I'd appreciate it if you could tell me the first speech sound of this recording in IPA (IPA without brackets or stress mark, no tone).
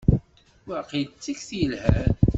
w